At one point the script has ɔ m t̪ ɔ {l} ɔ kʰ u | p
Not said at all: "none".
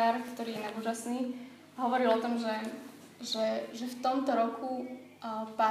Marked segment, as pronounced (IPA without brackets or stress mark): ɾ